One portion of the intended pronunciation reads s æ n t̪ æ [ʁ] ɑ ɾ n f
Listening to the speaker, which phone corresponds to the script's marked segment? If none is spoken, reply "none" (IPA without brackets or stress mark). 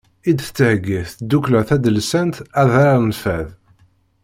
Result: ð